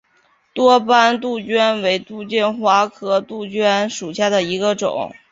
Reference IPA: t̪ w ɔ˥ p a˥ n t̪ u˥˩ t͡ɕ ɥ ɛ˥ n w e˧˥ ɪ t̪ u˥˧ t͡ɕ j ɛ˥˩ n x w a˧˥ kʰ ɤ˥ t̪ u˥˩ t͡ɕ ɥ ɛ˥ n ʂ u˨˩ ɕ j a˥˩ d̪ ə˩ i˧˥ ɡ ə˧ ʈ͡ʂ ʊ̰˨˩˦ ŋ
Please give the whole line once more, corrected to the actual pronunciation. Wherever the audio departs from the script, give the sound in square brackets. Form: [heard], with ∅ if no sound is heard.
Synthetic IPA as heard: t̪ w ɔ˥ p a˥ n t̪ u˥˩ t͡ɕ ɥ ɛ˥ n w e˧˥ ɪ t̪ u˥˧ t͡ɕ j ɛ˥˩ n x w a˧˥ kʰ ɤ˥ t̪ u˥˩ t͡ɕ ɥ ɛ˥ n ʂ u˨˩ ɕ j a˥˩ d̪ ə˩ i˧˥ ɡ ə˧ ʈ͡ʂ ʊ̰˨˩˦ ŋ